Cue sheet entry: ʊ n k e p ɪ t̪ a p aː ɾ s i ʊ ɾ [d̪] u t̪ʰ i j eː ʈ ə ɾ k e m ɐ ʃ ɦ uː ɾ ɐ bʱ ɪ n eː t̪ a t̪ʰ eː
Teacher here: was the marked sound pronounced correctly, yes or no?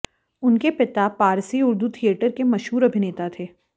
yes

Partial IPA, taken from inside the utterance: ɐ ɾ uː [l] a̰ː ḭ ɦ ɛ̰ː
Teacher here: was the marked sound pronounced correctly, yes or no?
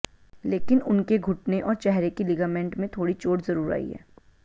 no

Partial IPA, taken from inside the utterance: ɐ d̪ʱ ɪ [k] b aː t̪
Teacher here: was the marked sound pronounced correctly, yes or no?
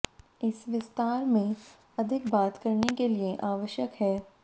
yes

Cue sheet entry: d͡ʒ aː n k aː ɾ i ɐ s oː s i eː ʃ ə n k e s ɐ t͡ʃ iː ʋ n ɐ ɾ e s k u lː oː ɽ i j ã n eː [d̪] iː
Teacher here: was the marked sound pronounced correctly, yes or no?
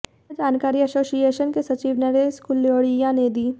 yes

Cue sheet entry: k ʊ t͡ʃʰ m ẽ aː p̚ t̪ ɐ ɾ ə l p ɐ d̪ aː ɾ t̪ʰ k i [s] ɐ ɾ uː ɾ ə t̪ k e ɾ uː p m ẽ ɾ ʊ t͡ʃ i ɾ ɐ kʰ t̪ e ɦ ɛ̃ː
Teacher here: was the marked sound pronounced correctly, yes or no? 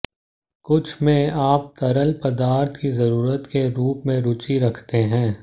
no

